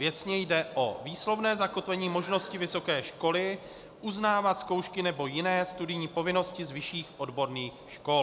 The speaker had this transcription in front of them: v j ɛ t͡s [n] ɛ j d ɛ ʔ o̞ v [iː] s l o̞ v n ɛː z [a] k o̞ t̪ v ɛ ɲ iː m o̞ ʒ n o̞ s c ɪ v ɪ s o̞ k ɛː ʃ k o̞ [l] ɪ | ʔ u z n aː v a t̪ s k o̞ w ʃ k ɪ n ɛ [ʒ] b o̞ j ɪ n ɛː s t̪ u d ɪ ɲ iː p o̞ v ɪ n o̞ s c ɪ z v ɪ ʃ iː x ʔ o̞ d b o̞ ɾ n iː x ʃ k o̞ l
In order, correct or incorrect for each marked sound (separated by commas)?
incorrect, correct, correct, correct, incorrect